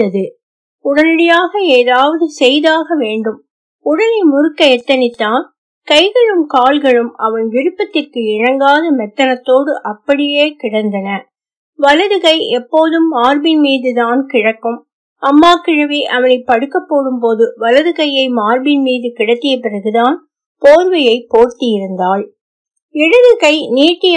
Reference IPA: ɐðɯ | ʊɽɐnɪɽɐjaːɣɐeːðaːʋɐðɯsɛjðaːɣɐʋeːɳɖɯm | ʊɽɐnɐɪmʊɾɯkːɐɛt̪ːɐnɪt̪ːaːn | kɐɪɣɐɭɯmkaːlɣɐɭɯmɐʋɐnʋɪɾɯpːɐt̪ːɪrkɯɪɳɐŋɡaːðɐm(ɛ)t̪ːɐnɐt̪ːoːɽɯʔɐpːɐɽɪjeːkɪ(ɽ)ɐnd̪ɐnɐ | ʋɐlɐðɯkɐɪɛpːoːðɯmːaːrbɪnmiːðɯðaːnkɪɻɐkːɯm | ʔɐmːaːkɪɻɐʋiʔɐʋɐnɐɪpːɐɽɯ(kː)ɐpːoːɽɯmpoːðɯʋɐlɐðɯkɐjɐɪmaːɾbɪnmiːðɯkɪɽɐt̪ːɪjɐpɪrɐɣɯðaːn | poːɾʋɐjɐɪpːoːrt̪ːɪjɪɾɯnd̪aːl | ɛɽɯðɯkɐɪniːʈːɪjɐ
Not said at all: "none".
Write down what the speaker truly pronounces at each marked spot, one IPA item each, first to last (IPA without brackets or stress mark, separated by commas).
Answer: ɛ, ɽ, kː